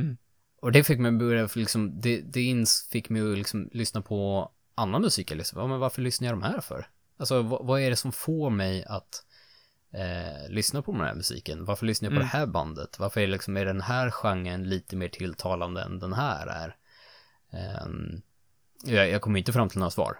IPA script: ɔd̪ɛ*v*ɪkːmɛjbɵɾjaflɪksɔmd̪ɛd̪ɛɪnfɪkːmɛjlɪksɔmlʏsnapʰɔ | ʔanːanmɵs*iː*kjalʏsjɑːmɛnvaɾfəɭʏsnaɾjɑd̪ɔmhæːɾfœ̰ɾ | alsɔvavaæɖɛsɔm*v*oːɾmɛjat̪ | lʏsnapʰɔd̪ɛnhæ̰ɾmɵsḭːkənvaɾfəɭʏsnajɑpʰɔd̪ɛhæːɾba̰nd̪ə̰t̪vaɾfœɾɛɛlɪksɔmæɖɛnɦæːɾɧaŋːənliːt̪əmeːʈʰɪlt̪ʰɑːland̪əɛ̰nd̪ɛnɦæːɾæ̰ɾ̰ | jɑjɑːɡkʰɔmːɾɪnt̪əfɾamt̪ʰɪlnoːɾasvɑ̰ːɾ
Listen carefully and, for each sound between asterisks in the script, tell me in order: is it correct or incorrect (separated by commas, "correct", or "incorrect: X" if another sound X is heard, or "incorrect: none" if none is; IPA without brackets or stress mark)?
incorrect: f, correct, incorrect: f